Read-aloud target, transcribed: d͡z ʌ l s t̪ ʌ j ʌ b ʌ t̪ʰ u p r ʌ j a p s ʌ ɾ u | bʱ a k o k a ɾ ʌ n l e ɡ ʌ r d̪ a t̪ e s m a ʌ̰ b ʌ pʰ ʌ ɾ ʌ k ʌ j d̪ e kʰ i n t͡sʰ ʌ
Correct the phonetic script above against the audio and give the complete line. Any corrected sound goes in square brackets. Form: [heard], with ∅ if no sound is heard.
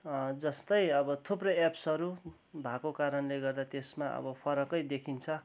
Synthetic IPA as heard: d͡z ʌ [∅] s t̪ ʌ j ʌ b ʌ t̪ʰ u p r ʌ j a p s ʌ ɾ u | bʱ a k o k a ɾ ʌ n l e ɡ ʌ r d̪ a t̪ e s m a ʌ̰ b ʌ pʰ ʌ ɾ ʌ k ʌ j d̪ e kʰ i n t͡sʰ ʌ